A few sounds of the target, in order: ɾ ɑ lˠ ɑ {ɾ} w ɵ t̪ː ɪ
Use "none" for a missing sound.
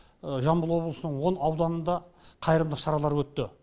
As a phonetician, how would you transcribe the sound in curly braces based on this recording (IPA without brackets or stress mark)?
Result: ɾ